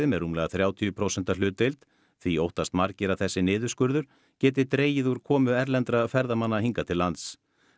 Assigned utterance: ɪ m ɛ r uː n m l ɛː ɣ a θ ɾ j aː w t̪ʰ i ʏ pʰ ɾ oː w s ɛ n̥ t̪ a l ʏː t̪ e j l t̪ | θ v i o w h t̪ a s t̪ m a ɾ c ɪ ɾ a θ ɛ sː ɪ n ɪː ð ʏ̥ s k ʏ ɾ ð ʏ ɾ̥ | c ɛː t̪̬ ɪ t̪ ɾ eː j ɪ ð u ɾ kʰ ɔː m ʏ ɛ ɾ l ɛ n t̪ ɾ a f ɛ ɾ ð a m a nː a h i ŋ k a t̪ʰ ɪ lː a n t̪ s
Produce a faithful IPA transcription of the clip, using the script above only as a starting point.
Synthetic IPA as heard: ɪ m ɛ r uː m l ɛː ɣ a θ ɾ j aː w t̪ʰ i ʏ pʰ ɾ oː w s ɛ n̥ t̪ a l ʏː t̪ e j l t̪ | θ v i o w h t̪ a s t̪ m a ɾ c ɪ ɾ a θ ɛ sː ɪ n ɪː ð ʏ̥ s k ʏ ɾ ð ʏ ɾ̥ | c ɛː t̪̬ ɪ t̪ ɾ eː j ɪ ð u ɾ kʰ ɔː m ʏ ɛ ɾ l ɛ n t̪ ɾ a f ɛ ɾ ð a m a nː a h i ŋ k a t̪ʰ ɪ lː a n t̪ s